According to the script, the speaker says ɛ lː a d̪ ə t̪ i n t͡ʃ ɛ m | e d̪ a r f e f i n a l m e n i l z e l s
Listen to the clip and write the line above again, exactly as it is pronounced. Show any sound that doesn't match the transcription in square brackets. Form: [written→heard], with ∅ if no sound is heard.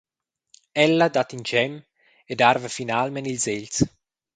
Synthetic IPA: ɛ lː a d̪ [ə→a] t̪ i n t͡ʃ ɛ m | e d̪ a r [f→v] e f i n a l m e n i l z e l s